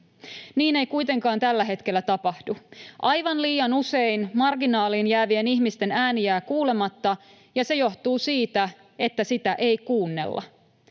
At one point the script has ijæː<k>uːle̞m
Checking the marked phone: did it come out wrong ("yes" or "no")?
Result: no